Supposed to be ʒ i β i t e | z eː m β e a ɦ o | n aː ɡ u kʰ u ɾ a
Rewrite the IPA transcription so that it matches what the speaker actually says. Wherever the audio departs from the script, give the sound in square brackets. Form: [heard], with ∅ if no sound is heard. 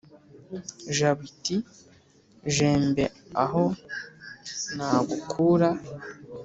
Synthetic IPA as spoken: ʒ [a] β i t [i] | [ʒ] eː m [b] e a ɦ o | n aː ɡ u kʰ u ɾ a